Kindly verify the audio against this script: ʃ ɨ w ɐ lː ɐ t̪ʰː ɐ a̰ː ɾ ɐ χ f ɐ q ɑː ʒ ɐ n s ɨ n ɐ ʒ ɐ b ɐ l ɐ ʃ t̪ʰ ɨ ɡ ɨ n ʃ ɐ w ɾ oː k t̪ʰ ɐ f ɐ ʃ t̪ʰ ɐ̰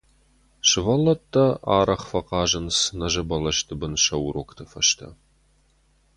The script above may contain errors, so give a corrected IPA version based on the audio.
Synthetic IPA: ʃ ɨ v ɐ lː ɐ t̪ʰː ɐ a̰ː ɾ ɐ χ f ɐ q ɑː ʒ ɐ n s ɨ n ɐ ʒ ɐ b ɐ l ɐ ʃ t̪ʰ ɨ b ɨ n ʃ ɐ w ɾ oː k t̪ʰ ɐ f ɐ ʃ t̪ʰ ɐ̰